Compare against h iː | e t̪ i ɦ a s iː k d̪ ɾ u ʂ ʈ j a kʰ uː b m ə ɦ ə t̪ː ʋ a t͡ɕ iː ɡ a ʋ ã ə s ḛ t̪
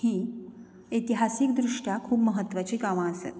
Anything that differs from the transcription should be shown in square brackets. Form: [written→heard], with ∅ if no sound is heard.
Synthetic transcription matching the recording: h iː | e t̪ i ɦ a s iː k d̪ ɾ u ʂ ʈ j a kʰ uː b m ə ɦ ə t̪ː ʋ a t͡ɕ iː ɡ a ʋ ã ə s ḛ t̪